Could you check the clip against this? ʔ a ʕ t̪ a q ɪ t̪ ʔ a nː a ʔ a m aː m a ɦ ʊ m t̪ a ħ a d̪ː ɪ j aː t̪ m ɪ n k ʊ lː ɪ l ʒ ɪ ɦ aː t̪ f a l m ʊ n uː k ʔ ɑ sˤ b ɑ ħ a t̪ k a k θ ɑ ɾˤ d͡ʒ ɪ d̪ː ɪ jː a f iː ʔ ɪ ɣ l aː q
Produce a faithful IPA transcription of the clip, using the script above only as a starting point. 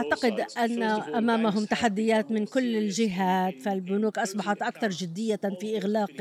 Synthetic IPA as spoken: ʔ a ʕ t̪ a q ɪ d̪ ʔ a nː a ʔ a m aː m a ɦ ʊ m t̪ a ħ a d̪ː ɪ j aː t̪ m ɪ n k ʊ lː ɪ l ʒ ɪ ɦ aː t̪ f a l b ʊ n uː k ʔ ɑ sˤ b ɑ ħ a t̪ ʔ a k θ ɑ ɾˤ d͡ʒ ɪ d̪ː ɪ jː a f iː ʔ ɪ ɣ l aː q